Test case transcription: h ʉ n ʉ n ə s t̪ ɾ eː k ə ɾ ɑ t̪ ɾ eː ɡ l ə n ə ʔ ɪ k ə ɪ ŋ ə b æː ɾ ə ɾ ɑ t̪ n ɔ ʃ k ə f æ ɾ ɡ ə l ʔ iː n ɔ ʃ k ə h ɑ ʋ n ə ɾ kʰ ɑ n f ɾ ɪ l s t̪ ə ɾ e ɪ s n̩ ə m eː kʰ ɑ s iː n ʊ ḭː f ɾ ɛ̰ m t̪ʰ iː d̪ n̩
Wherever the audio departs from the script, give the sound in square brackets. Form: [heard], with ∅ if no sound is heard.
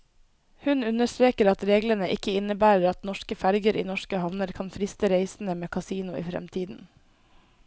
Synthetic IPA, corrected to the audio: h ʉ n ʉ n ə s t̪ ɾ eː k ə ɾ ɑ t̪ ɾ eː ɡ l ə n ə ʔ ɪ k ə ɪ [n] ə b æː ɾ ə ɾ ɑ t̪ n ɔ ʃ k ə f æ ɾ ɡ ə [ɾ] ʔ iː n ɔ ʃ k ə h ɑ ʋ n ə ɾ kʰ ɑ n f ɾ ɪ [∅] s t̪ ə ɾ e ɪ s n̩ ə m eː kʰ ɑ s iː n ʊ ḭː f ɾ ɛ̰ m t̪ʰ iː d̪ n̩